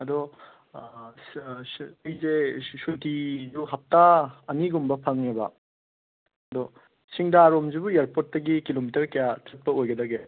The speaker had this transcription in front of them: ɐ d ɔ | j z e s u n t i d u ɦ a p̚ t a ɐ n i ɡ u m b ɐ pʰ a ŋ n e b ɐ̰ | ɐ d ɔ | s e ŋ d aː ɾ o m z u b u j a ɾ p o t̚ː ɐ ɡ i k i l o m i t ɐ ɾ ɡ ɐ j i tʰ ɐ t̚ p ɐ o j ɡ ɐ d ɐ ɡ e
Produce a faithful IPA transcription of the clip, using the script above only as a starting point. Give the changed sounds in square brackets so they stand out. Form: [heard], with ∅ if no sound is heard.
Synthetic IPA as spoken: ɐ d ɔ | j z e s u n t i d u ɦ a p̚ t a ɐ n i ɡ u m b ɐ pʰ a ŋ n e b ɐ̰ | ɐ d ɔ | s [i] ŋ d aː ɾ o m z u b u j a ɾ p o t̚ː ɐ ɡ i k i l o m i t ɐ ɾ [k] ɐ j [a] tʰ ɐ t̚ p ɐ o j ɡ ɐ d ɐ ɡ e